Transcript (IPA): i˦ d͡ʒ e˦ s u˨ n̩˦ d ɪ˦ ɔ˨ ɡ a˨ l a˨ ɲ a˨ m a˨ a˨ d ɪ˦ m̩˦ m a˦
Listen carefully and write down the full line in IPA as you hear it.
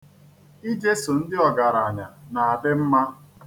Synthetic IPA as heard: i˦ d͡ʒ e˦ s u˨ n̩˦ d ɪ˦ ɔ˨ ɡ a˨ ɾ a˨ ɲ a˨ n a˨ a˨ d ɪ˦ m̩˦ m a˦